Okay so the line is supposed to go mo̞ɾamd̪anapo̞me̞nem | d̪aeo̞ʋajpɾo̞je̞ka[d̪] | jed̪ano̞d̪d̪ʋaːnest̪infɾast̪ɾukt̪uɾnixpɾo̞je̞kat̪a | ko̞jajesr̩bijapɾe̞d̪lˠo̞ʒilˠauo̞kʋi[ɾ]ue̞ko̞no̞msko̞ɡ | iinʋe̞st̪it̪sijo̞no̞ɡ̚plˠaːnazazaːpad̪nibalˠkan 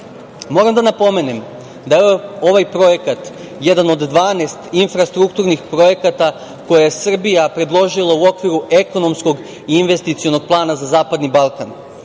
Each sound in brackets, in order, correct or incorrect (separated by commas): incorrect, correct